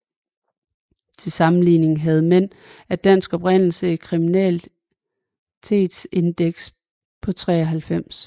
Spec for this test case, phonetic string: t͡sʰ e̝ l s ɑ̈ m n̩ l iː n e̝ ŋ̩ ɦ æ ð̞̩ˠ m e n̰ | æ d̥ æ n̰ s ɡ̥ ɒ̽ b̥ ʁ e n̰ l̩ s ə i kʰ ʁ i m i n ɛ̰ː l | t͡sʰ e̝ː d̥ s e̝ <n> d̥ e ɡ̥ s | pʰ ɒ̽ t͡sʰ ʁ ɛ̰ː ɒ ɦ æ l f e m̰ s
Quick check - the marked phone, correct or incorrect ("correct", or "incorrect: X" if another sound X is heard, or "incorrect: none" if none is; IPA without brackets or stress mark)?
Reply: correct